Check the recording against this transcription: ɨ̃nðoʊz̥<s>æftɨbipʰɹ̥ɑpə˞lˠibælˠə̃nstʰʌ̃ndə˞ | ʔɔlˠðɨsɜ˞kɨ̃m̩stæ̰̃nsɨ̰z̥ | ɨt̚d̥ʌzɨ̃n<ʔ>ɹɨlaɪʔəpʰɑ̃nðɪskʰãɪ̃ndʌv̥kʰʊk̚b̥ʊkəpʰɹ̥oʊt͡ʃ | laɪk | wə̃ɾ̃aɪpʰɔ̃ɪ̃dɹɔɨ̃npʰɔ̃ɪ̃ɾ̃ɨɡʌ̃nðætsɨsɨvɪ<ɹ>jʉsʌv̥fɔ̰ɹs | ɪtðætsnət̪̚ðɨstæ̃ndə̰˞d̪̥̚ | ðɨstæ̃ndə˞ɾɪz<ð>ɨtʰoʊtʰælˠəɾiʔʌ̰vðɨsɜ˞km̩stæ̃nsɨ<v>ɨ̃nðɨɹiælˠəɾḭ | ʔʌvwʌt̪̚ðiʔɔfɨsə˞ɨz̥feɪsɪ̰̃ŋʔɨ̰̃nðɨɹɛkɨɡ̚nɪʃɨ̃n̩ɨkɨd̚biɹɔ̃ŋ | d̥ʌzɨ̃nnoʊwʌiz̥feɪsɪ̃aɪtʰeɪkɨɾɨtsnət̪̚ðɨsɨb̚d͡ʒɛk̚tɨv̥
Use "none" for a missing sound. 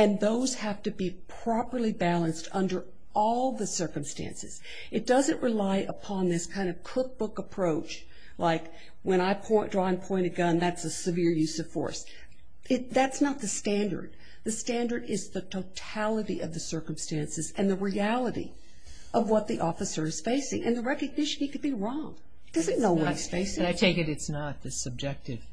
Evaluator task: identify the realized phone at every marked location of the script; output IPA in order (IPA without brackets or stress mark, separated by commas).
h, ʔ, ɹ, ð, z